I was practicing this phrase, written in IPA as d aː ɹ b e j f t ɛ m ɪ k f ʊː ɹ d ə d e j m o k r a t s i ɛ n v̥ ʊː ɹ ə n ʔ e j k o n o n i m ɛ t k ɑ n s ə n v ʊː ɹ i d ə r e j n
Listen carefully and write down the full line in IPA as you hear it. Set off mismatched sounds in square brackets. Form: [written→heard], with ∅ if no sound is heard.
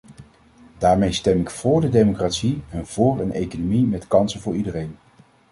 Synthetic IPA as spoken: d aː ɹ [b→m] e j [f→s] t ɛ m ɪ k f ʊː ɹ d ə d e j m o k r a t s i ɛ n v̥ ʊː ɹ ə n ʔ e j k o n o [n→m] i m ɛ t k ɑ n s ə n v ʊː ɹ i d ə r e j n